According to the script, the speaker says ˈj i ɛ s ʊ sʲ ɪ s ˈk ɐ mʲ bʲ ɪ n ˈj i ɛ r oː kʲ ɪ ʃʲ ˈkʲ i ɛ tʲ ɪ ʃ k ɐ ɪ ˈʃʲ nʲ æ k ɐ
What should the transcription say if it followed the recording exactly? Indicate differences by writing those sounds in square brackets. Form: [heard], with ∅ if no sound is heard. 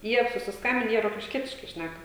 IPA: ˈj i ɛ s ʊ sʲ ɪ s ˈk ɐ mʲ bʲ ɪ n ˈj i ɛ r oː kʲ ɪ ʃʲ ˈkʲ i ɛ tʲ ɪ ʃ k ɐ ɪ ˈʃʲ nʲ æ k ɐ